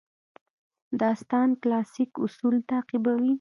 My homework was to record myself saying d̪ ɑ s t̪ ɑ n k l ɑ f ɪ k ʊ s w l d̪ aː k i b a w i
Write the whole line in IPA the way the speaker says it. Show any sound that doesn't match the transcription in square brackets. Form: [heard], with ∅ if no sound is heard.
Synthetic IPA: d̪ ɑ s t̪ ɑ n k l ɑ [s] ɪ k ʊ s [u] l [t̪] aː [q] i b a w i